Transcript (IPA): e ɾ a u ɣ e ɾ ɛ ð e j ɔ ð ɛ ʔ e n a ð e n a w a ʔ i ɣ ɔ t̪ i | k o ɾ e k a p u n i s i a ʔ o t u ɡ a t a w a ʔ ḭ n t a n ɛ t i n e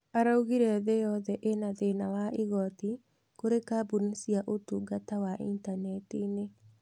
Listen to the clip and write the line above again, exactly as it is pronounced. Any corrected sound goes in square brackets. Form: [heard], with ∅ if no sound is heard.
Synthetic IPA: [a] ɾ a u ɣ [i] ɾ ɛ ð e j ɔ ð ɛ ʔ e n a ð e n a w a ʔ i ɣ ɔ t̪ i | k o ɾ e k a [b] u n i s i a ʔ o t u ɡ a t a w a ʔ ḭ n t a n ɛ t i n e